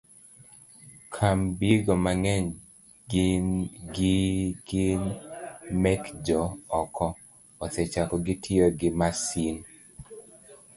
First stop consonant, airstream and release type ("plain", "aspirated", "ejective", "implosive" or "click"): aspirated